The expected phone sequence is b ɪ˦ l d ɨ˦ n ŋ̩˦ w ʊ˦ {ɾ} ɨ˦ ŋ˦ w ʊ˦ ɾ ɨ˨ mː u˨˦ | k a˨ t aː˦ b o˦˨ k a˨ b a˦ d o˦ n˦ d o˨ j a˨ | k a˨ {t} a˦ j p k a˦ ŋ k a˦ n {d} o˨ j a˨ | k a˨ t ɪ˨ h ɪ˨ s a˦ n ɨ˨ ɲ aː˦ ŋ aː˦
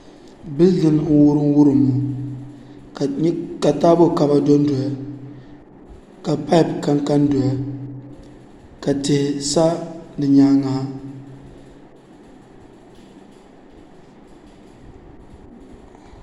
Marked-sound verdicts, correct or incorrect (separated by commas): correct, incorrect, correct